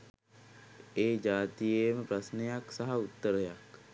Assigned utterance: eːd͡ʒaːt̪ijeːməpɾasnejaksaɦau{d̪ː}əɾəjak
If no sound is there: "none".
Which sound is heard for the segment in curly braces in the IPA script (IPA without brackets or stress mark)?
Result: t̪ː